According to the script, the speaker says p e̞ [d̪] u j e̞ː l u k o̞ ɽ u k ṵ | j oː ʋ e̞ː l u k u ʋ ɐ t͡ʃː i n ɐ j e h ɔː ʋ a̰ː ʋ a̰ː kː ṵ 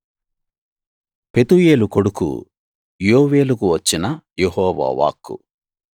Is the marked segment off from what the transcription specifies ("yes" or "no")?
yes